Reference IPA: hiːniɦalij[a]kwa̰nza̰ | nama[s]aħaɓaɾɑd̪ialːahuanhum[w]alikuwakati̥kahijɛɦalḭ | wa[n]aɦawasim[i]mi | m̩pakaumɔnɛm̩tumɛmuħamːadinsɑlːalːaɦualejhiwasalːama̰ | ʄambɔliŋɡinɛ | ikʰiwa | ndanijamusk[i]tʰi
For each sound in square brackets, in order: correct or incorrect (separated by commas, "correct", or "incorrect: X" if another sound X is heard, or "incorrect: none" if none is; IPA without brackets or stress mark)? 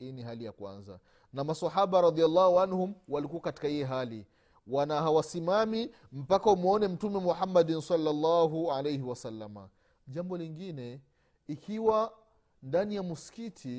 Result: correct, correct, correct, correct, incorrect: a, correct